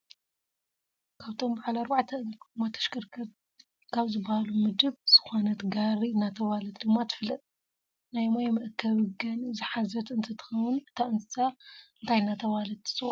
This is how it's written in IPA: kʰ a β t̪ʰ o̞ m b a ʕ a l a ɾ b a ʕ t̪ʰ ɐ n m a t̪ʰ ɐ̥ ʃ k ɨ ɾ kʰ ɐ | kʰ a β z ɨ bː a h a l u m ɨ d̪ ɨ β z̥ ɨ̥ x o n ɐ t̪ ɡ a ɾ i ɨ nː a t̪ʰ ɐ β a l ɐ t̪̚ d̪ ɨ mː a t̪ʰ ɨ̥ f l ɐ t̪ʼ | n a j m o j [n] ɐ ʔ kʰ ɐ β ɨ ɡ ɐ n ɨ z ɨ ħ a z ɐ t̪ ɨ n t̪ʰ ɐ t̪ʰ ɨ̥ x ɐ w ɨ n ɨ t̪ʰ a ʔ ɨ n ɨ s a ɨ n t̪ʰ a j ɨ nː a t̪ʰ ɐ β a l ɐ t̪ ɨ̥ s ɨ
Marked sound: incorrect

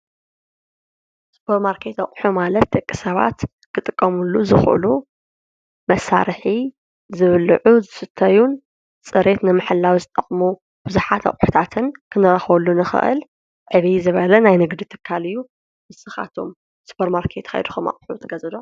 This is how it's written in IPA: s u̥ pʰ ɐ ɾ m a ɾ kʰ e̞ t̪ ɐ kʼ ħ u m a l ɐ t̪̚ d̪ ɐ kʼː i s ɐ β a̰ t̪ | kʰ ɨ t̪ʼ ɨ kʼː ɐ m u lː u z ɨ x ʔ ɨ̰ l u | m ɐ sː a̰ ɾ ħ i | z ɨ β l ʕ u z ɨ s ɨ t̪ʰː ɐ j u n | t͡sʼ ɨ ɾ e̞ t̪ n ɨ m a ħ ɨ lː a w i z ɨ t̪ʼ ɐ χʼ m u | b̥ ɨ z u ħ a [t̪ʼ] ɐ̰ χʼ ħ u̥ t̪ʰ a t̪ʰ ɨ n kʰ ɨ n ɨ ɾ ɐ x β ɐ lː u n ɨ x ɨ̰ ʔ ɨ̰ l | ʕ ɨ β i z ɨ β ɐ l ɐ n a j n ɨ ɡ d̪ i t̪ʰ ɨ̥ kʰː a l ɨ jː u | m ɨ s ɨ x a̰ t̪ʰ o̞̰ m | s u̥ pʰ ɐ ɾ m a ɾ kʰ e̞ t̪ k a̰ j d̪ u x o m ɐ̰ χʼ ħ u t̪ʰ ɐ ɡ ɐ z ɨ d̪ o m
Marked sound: incorrect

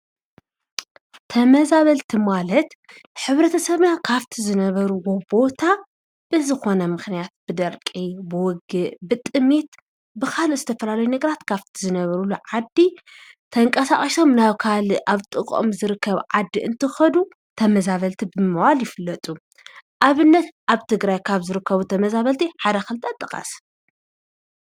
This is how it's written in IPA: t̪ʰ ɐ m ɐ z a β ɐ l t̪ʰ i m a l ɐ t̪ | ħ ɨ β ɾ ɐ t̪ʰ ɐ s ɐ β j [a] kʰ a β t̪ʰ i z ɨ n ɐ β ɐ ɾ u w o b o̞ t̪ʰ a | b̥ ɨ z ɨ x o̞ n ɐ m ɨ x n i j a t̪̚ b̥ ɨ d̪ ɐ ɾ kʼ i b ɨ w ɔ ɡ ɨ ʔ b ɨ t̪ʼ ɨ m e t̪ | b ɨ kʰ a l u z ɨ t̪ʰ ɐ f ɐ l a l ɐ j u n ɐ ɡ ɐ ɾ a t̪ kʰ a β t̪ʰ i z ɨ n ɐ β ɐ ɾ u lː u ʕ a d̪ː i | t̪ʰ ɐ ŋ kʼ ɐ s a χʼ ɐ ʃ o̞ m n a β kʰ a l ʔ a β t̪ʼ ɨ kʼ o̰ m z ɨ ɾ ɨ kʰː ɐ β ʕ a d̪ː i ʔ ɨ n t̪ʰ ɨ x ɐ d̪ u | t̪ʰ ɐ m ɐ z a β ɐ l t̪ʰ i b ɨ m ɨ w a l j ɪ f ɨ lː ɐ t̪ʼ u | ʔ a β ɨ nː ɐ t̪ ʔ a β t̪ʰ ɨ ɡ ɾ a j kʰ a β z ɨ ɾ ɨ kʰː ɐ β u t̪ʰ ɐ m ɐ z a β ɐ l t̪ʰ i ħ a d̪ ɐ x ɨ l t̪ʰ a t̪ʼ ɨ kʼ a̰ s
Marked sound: correct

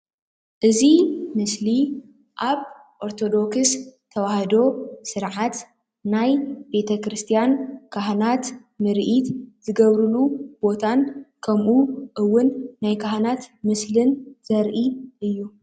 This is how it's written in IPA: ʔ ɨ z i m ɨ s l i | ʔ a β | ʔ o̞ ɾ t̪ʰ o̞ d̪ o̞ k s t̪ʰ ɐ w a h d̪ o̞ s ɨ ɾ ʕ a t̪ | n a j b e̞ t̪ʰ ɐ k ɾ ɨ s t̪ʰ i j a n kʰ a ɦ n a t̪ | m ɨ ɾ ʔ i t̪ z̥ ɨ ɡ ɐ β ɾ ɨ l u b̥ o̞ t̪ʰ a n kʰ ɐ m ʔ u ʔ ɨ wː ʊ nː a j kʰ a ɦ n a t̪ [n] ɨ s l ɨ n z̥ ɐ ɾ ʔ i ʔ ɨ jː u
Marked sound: incorrect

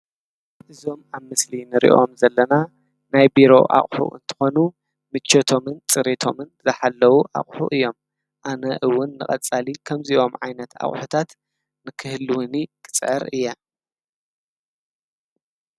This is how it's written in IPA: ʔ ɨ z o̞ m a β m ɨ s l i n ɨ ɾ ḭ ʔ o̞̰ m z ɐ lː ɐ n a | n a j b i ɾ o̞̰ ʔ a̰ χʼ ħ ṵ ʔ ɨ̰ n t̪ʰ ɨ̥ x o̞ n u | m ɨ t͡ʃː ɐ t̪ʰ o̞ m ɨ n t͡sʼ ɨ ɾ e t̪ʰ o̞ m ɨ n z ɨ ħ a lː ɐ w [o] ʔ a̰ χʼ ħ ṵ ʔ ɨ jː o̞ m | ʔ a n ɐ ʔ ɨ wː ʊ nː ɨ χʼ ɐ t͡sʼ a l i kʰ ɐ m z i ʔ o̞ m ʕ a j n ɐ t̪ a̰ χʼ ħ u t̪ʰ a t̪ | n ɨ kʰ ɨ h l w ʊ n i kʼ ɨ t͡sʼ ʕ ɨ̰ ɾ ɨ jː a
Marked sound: incorrect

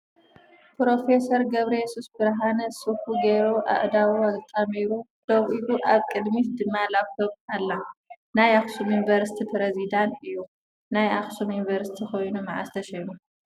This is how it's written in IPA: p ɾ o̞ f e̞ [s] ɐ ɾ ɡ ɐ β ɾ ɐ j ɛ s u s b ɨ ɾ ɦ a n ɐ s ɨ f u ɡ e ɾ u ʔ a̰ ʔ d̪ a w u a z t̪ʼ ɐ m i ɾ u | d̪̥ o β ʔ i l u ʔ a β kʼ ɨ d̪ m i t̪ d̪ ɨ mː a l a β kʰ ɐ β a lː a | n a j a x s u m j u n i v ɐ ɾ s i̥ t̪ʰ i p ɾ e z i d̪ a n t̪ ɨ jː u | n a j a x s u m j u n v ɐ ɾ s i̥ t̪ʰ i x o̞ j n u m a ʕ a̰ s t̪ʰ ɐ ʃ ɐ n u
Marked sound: correct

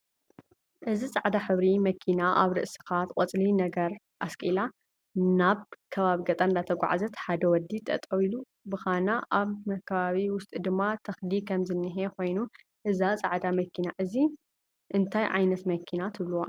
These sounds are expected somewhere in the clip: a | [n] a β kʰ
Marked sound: correct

